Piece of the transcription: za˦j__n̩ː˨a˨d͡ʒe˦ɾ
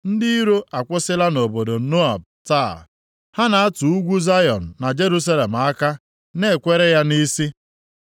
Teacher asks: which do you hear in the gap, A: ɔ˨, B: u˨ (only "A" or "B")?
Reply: A